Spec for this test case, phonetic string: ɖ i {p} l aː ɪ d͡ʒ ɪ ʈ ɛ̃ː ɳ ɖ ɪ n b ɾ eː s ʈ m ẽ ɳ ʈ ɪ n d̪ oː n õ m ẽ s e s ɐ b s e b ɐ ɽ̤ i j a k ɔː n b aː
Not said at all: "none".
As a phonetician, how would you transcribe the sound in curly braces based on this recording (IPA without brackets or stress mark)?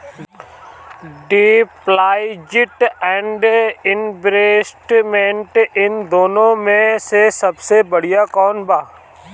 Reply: p